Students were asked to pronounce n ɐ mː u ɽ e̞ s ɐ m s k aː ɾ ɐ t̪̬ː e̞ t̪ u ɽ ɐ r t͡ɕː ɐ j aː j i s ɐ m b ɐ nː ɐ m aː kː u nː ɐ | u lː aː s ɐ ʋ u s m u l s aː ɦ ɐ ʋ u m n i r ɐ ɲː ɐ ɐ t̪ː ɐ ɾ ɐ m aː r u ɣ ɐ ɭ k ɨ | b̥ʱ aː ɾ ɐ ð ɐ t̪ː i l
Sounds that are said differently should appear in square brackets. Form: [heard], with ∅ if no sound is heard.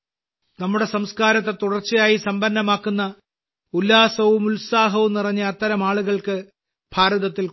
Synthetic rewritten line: n ɐ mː u ɽ e̞ s ɐ m s k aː ɾ ɐ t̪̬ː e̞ t̪ u ɽ ɐ r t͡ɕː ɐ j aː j i s ɐ m b ɐ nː ɐ m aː kː u nː ɐ | u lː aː s ɐ ʋ u [∅] m u l s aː ɦ ɐ ʋ u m n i r ɐ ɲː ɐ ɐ t̪ː ɐ ɾ ɐ m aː [ɭ] u ɣ ɐ ɭ k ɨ | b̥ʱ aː ɾ ɐ ð ɐ t̪ː i l